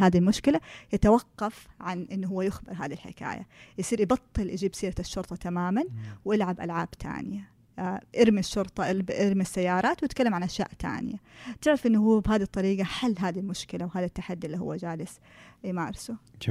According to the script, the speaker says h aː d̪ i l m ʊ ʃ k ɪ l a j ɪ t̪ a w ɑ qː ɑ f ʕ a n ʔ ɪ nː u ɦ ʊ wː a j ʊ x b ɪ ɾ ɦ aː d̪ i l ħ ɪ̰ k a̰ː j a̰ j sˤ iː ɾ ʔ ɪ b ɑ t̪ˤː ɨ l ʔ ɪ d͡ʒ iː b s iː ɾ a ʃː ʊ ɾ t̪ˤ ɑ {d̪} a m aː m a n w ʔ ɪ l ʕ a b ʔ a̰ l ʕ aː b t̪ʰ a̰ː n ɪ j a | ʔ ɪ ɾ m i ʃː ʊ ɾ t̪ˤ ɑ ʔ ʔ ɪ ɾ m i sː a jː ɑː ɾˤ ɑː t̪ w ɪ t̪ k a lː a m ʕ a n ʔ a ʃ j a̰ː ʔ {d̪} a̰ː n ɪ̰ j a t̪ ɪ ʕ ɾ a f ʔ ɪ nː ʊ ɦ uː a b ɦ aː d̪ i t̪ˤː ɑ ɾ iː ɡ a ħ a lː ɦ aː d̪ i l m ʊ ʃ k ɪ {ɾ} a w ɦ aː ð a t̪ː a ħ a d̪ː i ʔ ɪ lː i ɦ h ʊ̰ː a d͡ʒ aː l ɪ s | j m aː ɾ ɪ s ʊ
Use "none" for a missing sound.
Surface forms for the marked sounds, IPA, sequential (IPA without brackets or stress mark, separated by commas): t̪, t̪, l